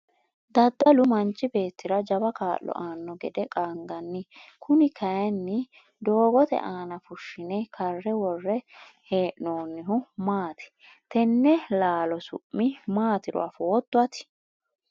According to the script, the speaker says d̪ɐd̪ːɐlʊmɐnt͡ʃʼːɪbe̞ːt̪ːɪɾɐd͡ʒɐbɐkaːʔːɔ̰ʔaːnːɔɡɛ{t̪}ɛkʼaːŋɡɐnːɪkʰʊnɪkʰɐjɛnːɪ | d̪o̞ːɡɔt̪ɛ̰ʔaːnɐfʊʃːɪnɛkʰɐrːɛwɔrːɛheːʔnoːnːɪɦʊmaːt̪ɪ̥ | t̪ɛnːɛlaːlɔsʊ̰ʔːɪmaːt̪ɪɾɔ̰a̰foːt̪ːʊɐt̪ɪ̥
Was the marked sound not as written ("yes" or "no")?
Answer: yes